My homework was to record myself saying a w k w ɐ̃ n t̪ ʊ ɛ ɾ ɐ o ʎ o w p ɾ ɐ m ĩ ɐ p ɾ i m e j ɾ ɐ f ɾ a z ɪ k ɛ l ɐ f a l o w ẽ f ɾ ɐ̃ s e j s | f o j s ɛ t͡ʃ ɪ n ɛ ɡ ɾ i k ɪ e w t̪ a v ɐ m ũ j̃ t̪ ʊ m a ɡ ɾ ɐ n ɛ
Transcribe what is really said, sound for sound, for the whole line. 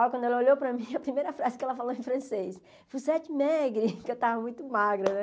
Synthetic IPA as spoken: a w k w ɐ̃ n d̪ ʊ ɛ l ɐ o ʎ o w p ɾ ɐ m ĩ ɐ p ɾ i m e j ɾ ɐ f ɾ a z ɪ k ɛ l ɐ f a l o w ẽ f ɾ ɐ̃ s e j s | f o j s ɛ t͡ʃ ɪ m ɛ ɡ ɾ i k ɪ e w t̪ a v ɐ m ũ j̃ t̪ ʊ m a ɡ ɾ ɐ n ɛ